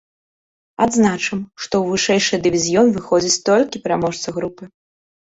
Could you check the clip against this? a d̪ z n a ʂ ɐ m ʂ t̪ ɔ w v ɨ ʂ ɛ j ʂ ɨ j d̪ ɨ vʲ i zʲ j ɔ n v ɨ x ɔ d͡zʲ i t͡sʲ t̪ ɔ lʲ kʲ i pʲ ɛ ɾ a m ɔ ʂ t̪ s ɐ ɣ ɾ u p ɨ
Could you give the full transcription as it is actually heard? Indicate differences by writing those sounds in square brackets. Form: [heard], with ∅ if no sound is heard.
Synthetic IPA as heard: a d̪ z n a [t͡ʂ] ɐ m ʂ t̪ ɔ w v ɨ ʂ ɛ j ʂ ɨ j d̪ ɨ vʲ i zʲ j ɔ n v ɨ x ɔ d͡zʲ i t͡sʲ t̪ ɔ lʲ kʲ i pʲ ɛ ɾ a m ɔ ʂ t̪ s ɐ ɣ ɾ u p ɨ